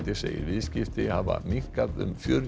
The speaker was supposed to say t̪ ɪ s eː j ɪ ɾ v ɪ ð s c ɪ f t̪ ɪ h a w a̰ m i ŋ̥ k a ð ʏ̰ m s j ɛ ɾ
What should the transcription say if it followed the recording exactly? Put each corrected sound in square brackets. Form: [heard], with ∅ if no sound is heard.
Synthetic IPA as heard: t̪ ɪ s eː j ɪ ɾ v ɪ ð s c ɪ f t̪ ɪ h a [v] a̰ m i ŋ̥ k a ð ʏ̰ m [f] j [œ] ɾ